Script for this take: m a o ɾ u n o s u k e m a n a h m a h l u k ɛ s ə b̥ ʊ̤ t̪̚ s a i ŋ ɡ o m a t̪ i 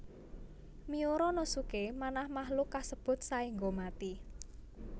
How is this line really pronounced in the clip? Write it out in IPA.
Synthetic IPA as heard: m i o ɾ ɔ n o s u k e m a n a h m a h l u k a s ə b̥ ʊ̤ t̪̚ s a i ŋ ɡ o m a t̪ i

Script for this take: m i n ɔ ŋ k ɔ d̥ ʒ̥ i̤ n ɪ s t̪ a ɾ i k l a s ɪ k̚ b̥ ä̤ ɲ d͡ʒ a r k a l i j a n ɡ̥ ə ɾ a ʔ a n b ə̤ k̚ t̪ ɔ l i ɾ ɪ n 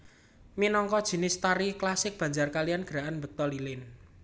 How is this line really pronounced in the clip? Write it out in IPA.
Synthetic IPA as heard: m i n ɔ ŋ k ɔ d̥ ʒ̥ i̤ n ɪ s t̪ a ɾ i k l a s ɪ k̚ b̥ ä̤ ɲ d͡ʒ a r k a l i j a n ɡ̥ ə ɾ a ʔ a n b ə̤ k̚ t̪ ɔ l i l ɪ n

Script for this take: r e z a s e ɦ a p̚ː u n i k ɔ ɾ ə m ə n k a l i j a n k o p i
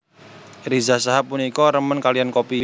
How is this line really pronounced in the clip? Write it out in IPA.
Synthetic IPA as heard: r i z a s a ɦ a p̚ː u n i k ɔ ɾ ə m ə n k a l i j a n k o p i

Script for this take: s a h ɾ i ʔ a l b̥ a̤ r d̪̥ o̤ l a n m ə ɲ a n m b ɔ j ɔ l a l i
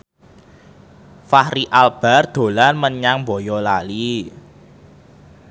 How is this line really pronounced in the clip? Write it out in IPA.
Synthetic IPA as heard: f a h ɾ i ʔ a l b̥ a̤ r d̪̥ o̤ l a n m ə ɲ a ŋ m b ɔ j ɔ l a l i

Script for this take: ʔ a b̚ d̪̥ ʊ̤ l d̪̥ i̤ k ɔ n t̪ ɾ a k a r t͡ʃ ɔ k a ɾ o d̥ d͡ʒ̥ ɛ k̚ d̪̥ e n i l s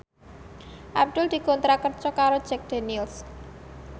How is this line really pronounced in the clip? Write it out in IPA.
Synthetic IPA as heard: ʔ a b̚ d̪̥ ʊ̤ l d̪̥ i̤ k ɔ n t̪ ɾ a k ə r t͡ʃ ɔ k a ɾ o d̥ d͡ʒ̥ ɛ k̚ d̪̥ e n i l s

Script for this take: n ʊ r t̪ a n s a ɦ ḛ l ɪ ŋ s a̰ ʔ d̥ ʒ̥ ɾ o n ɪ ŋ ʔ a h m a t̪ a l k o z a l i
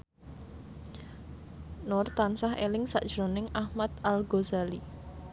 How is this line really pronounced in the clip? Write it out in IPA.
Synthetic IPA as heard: n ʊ r t̪ a n s a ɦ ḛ l ɪ ŋ s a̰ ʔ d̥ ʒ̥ ɾ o n ɪ ŋ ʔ a h m a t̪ a l ɡ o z a l i

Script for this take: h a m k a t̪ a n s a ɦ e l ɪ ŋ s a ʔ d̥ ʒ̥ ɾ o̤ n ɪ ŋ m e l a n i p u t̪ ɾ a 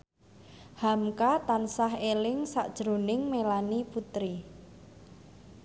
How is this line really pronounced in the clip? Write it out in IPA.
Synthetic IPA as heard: h a m k a t̪ a n s a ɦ e l ɪ ŋ s a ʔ d̥ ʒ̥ ɾ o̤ n ɪ ŋ m e l a n i p u t̪ ɾ i

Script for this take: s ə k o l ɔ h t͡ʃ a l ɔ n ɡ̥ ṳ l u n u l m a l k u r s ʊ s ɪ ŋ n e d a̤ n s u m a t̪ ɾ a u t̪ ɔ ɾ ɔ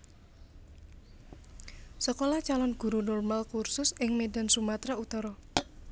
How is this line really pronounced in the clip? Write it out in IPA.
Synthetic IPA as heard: s ə k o l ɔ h t͡ʃ a l ɔ n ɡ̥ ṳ ɾ u n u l m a l k u r s ʊ s ɪ ŋ m e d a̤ n s u m a t̪ ɾ a u t̪ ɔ ɾ ɔ

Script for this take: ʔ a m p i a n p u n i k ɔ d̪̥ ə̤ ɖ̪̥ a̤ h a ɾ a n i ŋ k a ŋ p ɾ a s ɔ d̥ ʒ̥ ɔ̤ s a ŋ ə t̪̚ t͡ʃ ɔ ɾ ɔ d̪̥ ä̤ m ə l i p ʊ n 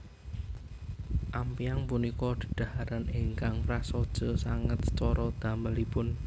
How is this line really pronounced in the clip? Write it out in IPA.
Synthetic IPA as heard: ʔ a m p i a ŋ p u n i k ɔ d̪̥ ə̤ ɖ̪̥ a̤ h a ɾ a n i ŋ k a ŋ p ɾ a s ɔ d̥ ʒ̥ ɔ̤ s a ŋ ə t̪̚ t͡ʃ ɔ ɾ ɔ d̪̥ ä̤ m ə l i p ʊ n

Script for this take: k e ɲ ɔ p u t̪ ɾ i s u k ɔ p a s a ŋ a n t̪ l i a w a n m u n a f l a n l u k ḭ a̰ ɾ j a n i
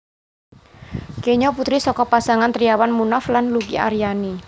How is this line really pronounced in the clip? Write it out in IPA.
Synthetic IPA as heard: k e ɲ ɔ p u t̪ ɾ i s ɔ k ɔ p a s a ŋ a n t̪ ɾ i a w a n m u n a f l a n l u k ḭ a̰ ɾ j a n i

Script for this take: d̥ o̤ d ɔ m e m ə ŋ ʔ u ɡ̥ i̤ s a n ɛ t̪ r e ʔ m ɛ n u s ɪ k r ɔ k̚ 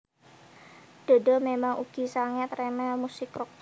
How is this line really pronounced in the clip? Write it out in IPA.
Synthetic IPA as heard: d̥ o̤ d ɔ m e m a ŋ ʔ u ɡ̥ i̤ s a ŋ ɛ t̪ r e m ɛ m u s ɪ k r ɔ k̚

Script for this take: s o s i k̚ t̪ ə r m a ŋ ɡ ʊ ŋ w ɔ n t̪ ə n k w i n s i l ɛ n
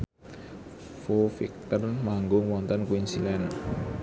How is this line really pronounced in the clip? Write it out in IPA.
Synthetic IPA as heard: f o f i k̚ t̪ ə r m a ŋ ɡ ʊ ŋ w ɔ n t̪ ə n k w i n s i l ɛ n

